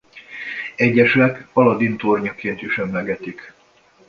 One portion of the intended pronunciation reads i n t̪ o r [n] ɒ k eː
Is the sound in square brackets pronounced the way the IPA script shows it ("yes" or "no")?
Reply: no